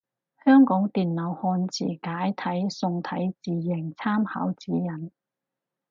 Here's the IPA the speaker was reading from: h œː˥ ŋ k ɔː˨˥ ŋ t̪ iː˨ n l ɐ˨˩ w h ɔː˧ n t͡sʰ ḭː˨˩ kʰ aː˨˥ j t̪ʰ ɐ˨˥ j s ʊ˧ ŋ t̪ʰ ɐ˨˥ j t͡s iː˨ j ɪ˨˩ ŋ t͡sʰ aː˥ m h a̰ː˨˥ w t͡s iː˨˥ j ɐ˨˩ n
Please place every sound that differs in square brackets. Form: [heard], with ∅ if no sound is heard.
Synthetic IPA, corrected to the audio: h œː˥ ŋ k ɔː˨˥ ŋ t̪ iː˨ n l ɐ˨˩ w h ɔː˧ n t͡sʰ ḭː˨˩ [k] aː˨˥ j t̪ʰ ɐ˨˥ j s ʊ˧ ŋ t̪ʰ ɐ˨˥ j t͡s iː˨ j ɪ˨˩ ŋ t͡sʰ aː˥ m h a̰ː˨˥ w t͡s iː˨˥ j ɐ˨˩ n

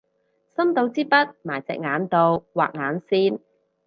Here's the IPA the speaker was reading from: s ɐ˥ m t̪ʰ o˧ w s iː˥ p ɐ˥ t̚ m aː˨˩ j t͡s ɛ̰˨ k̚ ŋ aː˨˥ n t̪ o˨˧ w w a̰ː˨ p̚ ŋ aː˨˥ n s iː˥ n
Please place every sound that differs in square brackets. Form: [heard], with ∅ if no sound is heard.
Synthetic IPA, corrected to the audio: s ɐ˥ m [t̪] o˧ w [t͡s] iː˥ p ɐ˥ t̚ m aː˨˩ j t͡s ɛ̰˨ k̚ ŋ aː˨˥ n t̪ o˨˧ w w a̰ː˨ [k̚] ŋ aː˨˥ n s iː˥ n

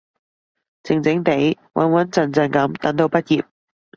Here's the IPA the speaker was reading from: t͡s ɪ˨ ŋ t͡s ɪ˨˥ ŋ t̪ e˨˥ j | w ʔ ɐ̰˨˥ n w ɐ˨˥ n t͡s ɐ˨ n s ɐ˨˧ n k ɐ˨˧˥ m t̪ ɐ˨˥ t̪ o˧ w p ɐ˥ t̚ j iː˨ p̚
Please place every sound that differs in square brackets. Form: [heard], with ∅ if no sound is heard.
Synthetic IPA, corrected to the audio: t͡s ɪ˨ ŋ t͡s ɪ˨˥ ŋ t̪ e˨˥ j | w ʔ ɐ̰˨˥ n w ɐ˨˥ n t͡s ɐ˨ n [t͡s] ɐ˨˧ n k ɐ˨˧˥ m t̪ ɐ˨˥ t̪ o˧ w p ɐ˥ t̚ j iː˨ p̚

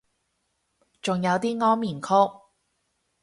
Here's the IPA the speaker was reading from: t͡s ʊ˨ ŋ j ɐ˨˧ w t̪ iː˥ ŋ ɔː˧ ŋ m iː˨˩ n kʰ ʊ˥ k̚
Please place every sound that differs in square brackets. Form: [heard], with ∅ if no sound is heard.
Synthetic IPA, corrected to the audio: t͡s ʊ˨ ŋ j ɐ˨˧ w t̪ iː˥ ŋ [ɔː˥] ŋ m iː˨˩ n kʰ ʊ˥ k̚

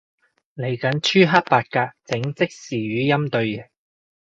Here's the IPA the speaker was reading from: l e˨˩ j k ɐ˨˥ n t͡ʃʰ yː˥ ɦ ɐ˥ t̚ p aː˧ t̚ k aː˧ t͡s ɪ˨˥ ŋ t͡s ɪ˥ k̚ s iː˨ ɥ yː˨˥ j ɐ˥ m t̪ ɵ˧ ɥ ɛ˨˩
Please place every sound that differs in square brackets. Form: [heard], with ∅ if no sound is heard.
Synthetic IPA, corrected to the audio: l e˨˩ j k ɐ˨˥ n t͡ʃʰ yː˥ ɦ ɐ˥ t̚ p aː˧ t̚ k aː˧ t͡s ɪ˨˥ ŋ t͡s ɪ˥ k̚ s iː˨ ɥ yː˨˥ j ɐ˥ m t̪ ɵ˧ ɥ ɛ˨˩

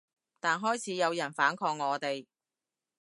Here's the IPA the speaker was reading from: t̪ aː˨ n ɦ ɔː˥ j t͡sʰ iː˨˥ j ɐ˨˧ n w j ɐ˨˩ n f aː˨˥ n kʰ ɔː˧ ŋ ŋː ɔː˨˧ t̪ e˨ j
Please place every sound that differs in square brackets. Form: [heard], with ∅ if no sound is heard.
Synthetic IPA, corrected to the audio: t̪ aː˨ n ɦ ɔː˥ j t͡sʰ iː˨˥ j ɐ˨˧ [∅] w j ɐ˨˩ n f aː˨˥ n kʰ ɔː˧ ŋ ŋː ɔː˨˧ t̪ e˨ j

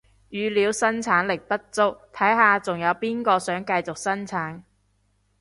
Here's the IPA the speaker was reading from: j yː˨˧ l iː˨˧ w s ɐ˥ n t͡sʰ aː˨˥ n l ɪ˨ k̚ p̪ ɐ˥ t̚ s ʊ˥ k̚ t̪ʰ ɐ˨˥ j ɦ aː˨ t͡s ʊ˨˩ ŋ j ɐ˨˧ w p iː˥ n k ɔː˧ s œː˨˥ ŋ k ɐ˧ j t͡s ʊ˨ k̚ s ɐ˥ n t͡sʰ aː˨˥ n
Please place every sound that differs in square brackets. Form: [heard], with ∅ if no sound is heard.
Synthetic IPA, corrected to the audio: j yː˨˧ l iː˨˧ w s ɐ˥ n t͡sʰ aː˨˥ n l ɪ˨ k̚ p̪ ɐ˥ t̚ [t͡s] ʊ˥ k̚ t̪ʰ ɐ˨˥ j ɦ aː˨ t͡s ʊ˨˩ ŋ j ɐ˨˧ w p iː˥ n k ɔː˧ s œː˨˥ ŋ k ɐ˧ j t͡s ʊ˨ k̚ s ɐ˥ n t͡sʰ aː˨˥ n

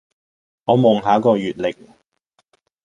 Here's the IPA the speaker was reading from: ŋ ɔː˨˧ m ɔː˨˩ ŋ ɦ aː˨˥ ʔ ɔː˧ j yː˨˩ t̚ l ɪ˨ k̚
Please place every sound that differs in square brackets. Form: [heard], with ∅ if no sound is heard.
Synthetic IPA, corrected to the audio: ŋ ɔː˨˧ m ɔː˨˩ ŋ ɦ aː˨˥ [k] ɔː˧ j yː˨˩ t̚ l ɪ˨ k̚

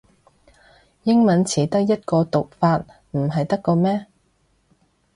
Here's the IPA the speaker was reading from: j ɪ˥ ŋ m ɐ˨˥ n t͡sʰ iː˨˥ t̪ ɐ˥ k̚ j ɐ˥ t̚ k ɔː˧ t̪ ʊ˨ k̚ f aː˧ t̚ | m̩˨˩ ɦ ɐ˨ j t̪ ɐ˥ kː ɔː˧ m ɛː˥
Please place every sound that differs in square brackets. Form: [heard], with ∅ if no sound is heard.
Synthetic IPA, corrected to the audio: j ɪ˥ ŋ m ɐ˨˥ n t͡sʰ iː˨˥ t̪ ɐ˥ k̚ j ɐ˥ t̚ k ɔː˧ t̪ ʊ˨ k̚ f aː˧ t̚ | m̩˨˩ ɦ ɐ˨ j t̪ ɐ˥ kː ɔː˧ m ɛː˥

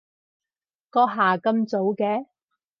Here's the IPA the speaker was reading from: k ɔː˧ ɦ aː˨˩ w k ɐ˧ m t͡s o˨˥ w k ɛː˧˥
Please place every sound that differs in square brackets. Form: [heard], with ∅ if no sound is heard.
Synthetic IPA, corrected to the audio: k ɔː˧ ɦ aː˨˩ [∅] k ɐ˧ m t͡s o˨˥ w k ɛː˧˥

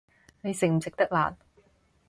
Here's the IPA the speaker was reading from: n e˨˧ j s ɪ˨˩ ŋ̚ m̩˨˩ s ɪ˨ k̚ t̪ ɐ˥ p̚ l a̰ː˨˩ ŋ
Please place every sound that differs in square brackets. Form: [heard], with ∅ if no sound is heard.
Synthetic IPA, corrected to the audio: n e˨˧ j s ɪ˨˩ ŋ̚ m̩˨˩ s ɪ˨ k̚ t̪ ɐ˥ [k̚] l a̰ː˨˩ [n]

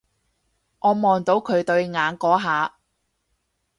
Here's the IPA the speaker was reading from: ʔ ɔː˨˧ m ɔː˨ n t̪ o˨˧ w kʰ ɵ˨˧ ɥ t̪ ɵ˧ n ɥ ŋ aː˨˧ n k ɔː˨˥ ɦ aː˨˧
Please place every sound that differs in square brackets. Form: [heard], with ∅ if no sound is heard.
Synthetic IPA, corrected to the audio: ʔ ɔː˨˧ m ɔː˨ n t̪ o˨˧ w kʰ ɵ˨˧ ɥ t̪ ɵ˧ [∅] ɥ ŋ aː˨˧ n k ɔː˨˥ ɦ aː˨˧

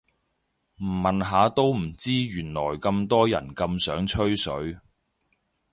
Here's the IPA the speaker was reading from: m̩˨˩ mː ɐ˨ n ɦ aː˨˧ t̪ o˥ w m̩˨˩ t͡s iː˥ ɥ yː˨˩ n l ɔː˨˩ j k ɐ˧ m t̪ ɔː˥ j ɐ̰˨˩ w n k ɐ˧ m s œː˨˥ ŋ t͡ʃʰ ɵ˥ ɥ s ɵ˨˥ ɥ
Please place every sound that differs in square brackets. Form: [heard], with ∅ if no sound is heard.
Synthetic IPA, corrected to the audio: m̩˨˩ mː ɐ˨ n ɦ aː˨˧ t̪ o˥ w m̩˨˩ t͡s iː˥ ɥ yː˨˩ n l ɔː˨˩ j k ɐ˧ m t̪ ɔː˥ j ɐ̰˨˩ [∅] n k ɐ˧ m s œː˨˥ ŋ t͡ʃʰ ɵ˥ ɥ s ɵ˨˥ ɥ

